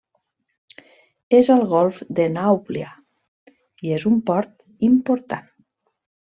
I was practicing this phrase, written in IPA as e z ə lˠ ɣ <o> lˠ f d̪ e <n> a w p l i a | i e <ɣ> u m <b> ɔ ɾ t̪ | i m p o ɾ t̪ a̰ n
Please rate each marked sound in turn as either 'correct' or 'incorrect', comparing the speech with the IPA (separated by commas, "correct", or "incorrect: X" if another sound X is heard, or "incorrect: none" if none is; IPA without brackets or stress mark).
incorrect: ɔ, correct, incorrect: z, incorrect: p